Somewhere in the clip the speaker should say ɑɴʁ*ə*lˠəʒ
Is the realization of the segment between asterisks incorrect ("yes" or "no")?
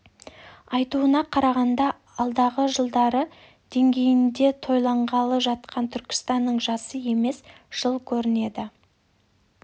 yes